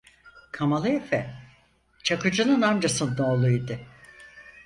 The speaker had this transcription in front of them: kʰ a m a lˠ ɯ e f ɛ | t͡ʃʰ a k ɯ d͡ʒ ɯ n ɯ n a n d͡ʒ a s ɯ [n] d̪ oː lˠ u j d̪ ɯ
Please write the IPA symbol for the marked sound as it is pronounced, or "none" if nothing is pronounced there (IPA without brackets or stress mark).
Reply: n